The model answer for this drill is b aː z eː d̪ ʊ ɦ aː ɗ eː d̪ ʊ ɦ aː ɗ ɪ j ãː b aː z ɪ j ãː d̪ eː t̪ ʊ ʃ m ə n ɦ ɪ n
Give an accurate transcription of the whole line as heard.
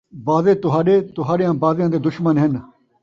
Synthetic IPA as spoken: b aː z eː t̪ ʊ ɦ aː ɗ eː t̪ ʊ ɦ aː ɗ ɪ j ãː b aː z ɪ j ãː d̪ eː d̪ ʊ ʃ m ə n ɦ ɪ n